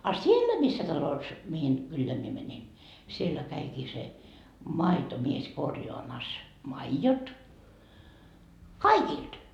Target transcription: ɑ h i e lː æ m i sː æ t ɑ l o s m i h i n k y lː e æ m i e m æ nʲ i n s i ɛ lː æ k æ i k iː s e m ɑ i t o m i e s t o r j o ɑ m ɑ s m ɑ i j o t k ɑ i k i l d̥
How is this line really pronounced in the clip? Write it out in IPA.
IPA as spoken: ɑ s i e lː æ m i sː æ t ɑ l o s m i h i n k y lː e æ m i e m æ nʲ i n s i e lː æ k æ i k iː s e m ɑ i t o m i e s k o r j o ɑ m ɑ s m ɑ i j o t k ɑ i k i l d̥